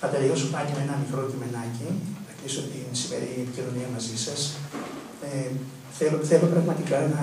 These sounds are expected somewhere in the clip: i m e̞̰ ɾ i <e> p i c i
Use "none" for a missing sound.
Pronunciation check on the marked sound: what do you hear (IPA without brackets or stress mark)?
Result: e